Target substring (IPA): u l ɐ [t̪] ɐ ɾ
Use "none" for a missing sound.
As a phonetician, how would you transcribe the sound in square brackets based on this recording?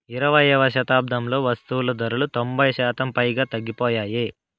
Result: d̪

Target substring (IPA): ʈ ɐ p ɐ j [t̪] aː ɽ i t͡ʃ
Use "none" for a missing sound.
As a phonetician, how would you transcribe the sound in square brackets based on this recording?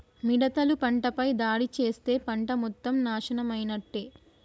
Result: d̪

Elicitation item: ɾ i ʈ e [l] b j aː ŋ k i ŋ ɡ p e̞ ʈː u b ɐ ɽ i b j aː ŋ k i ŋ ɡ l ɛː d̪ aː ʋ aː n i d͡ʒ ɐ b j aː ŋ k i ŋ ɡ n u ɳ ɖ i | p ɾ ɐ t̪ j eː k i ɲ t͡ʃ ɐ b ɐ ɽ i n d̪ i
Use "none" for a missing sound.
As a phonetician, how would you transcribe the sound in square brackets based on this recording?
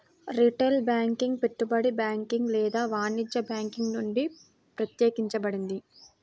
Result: l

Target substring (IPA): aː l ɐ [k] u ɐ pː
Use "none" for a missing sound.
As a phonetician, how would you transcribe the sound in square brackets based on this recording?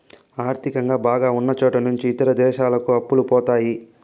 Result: k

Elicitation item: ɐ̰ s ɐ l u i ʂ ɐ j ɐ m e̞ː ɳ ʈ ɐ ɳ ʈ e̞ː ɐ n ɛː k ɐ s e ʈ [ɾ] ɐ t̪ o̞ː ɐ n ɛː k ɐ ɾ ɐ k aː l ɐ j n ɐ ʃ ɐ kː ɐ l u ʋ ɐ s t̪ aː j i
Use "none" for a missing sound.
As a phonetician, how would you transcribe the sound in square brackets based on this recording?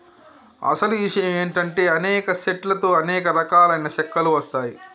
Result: l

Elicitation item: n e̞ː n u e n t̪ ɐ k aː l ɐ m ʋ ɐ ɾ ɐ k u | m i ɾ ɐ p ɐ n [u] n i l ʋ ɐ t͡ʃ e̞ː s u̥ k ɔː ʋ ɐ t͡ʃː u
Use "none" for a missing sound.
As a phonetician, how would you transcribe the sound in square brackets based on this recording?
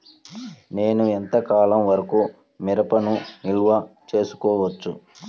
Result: u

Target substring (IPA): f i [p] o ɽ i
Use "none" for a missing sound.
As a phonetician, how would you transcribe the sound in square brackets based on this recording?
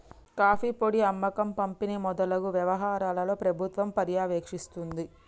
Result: p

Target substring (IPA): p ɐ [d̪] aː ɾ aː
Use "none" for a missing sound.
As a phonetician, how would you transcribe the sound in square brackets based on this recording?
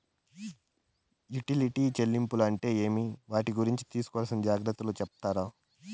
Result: t̪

